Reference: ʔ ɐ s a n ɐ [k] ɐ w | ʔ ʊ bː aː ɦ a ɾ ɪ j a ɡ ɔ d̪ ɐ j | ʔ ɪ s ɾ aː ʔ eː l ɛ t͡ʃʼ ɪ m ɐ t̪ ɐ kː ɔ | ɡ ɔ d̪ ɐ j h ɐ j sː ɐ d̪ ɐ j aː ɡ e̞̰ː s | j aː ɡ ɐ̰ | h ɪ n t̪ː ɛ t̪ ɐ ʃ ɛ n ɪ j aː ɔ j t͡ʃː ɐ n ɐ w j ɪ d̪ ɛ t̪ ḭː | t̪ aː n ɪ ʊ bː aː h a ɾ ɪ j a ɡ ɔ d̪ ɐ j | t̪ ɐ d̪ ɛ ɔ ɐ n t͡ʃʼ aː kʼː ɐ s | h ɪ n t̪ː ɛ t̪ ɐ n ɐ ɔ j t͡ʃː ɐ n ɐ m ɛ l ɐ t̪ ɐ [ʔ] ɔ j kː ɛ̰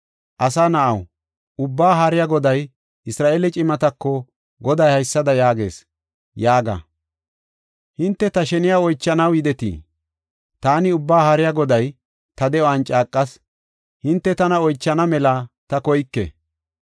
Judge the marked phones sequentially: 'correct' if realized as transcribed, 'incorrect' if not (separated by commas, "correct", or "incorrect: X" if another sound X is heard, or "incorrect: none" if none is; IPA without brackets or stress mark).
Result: incorrect: ʔ, incorrect: k